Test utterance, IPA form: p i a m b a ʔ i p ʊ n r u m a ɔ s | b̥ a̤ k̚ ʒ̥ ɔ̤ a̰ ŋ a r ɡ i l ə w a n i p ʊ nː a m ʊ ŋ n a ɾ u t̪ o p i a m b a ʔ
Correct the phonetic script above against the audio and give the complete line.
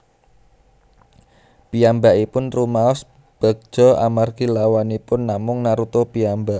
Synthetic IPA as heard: p i a m b a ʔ i p ʊ n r u m a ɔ s | b̥ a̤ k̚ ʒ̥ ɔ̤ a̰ m a r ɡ i l a w a n i p ʊ nː a m ʊ ŋ n a ɾ u t̪ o p i a m b a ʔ